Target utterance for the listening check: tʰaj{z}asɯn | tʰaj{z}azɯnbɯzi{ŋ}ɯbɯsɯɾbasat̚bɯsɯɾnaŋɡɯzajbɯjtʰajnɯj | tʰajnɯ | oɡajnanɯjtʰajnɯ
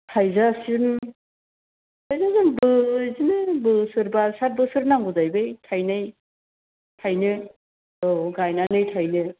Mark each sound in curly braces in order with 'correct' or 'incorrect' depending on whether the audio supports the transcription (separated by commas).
correct, correct, incorrect